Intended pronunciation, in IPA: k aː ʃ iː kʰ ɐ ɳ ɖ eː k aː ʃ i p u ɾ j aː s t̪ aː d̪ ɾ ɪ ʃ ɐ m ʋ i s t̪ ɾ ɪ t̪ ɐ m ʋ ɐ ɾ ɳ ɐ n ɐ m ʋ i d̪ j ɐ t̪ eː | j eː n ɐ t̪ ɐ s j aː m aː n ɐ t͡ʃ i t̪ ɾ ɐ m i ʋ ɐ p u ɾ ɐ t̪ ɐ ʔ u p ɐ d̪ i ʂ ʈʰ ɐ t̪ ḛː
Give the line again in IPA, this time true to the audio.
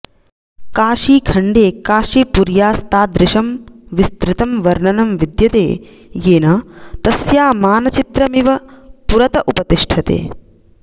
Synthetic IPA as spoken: k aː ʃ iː kʰ ɐ ɳ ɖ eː k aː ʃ i p u ɾ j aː s t̪ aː d̪ ɾ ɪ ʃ ɐ m ʋ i s t̪ ɾ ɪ t̪ ɐ m ʋ ɐ ɾ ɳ ɐ n ɐ m ʋ i d̪ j ɐ t̪ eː | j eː n ɐ t̪ ɐ s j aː m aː n ɐ t͡ʃ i t̪ ɾ ɐ m i ʋ ɐ p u ɾ ɐ t̪ ɐ ʔ u p ɐ t̪ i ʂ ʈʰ ɐ t̪ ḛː